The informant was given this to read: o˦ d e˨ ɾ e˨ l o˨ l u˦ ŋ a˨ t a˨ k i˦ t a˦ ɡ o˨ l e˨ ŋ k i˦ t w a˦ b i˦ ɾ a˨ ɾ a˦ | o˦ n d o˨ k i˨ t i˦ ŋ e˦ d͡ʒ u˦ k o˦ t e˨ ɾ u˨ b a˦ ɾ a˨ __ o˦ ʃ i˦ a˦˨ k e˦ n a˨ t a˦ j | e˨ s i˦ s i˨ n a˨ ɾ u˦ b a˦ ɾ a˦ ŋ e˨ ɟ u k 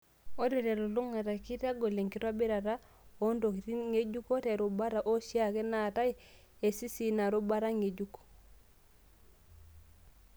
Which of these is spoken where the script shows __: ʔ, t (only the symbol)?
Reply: ʔ